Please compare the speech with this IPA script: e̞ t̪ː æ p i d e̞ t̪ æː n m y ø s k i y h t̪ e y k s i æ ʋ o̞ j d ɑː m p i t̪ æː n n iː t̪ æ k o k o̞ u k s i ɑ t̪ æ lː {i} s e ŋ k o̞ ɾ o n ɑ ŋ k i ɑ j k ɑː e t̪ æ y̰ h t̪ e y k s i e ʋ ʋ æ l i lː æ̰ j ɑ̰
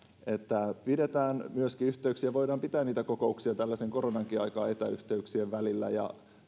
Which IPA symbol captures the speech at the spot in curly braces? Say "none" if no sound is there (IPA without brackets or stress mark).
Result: æ